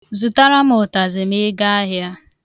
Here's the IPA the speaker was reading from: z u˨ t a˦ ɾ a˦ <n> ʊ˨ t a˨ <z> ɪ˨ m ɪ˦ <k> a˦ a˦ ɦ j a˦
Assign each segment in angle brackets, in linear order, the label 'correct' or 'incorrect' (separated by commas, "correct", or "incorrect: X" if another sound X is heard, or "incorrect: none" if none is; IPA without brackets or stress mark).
incorrect: m, correct, incorrect: ɡ